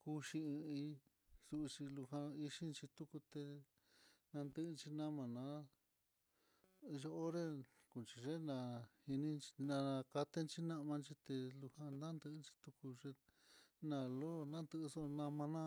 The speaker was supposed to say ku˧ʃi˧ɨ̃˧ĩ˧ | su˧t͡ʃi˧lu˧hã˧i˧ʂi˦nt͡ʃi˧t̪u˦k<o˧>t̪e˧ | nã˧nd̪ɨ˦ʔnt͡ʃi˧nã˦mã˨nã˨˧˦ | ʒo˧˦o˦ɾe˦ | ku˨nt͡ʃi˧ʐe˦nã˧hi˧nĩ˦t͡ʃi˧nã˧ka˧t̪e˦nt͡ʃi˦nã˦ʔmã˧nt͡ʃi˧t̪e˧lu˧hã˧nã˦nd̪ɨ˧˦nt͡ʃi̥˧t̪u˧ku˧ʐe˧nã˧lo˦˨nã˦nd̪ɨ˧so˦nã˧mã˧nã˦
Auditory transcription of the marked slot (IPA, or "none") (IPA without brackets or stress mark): u˧